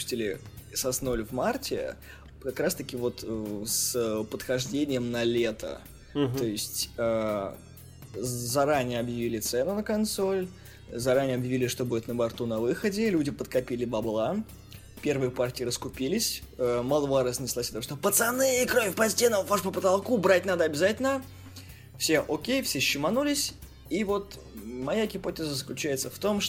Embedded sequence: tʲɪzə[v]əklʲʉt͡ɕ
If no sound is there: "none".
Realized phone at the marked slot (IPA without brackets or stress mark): z